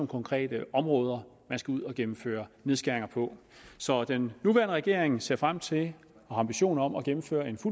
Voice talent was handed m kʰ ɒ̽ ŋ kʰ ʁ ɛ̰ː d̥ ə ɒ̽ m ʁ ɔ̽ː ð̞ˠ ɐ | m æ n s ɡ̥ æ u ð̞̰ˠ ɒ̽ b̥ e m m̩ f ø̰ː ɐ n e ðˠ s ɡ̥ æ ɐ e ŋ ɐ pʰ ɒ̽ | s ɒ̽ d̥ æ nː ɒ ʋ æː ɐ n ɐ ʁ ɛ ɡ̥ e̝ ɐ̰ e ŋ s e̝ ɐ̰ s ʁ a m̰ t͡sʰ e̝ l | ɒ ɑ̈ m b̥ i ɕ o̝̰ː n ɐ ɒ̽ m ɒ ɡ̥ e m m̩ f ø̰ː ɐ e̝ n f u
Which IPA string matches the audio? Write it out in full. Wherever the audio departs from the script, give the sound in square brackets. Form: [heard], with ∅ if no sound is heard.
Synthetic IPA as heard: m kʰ ɒ̽ ŋ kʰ ʁ ɛ̰ː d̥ ə ɒ̽ m ʁ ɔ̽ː ð̞ˠ ɐ | m æ n s ɡ̥ æ u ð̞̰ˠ ɒ̽ [ɡ̥] e m m̩ f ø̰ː ɐ n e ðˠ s ɡ̥ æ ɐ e ŋ ɐ pʰ ɒ̽ | s ɒ̽ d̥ [e] nː [u] ʋ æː ɐ n [ə] ʁ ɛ ɡ̥ e̝ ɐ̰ e ŋ s e̝ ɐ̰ [f] ʁ a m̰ t͡sʰ e̝ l | ɒ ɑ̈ m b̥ i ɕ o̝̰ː n ɐ ɒ̽ m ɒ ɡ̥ e m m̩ f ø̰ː ɐ e̝ n f u